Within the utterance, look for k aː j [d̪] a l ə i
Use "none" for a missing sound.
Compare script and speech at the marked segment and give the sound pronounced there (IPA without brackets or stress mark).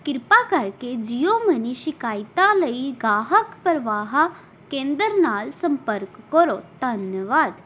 t̪